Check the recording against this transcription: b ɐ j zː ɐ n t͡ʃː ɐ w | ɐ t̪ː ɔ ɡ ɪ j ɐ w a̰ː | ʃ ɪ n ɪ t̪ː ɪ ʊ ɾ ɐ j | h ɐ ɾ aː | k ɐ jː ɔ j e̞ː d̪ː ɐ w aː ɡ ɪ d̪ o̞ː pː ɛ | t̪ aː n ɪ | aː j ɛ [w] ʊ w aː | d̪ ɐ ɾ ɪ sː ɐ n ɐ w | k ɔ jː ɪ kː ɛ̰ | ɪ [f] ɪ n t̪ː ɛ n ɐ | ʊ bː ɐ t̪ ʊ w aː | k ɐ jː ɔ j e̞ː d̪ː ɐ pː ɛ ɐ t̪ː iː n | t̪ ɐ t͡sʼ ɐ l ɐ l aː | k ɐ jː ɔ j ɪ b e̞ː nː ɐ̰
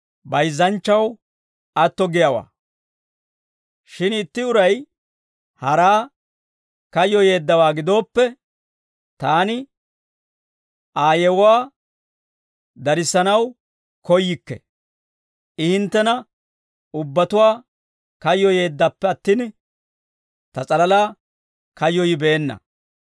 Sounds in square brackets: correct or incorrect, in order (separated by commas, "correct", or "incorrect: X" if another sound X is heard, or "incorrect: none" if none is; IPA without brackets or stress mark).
correct, incorrect: h